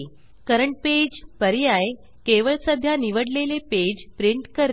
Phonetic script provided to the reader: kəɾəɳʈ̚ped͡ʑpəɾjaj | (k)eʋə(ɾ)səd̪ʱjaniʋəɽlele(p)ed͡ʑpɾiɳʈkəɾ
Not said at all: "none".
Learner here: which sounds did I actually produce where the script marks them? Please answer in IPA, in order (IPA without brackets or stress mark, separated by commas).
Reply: k, ɭ, p